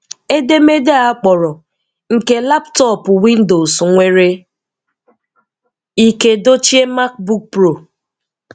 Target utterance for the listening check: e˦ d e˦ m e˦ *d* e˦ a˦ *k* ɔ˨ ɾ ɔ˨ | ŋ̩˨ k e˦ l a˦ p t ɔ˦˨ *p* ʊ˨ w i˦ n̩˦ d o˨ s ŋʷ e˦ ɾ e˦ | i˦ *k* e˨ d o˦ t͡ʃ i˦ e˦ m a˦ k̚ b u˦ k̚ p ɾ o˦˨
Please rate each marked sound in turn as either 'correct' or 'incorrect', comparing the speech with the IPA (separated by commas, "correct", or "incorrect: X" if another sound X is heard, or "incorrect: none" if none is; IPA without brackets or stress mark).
correct, incorrect: k͡p, correct, correct